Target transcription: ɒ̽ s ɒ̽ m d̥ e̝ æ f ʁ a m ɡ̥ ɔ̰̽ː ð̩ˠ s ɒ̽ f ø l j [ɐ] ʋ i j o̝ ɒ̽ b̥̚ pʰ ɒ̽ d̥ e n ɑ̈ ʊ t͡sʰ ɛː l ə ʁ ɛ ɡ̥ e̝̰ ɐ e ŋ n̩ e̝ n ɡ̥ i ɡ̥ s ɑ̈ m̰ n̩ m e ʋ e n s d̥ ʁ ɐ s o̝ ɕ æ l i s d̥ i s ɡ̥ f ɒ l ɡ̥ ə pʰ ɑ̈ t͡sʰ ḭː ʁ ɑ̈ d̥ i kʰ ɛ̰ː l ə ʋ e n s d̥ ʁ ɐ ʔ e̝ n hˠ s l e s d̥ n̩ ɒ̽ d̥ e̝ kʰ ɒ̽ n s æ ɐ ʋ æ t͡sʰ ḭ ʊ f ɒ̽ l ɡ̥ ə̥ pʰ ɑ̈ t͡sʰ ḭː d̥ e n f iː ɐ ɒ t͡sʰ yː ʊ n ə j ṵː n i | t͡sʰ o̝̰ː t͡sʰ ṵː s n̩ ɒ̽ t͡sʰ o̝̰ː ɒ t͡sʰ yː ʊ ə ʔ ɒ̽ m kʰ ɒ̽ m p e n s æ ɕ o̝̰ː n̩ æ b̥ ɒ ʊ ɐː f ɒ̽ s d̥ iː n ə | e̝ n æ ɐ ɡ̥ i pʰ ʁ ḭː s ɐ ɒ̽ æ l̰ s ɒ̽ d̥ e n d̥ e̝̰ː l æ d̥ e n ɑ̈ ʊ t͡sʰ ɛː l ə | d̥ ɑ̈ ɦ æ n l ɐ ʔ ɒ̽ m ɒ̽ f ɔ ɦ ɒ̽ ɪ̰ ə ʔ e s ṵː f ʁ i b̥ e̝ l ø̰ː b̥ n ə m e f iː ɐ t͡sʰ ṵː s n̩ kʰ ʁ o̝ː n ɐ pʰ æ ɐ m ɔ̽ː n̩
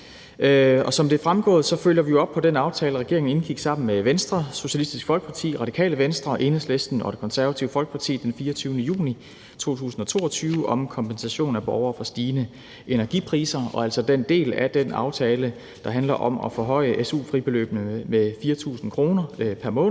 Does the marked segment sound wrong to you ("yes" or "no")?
no